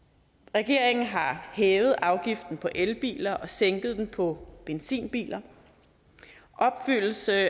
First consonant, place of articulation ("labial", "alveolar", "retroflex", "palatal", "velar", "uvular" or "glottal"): uvular